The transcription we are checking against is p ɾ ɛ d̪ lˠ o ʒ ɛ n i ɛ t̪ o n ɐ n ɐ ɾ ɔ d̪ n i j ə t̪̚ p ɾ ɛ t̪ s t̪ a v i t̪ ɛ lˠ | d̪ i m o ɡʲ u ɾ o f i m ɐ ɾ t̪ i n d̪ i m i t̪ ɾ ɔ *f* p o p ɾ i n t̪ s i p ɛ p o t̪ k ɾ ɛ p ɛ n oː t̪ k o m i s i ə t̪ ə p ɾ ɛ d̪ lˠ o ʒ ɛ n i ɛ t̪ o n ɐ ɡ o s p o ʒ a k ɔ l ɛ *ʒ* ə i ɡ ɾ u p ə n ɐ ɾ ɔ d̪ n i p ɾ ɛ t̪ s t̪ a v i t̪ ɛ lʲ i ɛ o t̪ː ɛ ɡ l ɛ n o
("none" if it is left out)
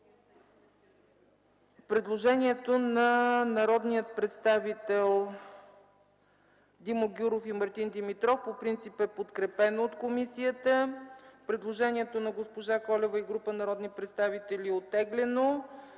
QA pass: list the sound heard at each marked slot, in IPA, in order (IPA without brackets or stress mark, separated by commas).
f, v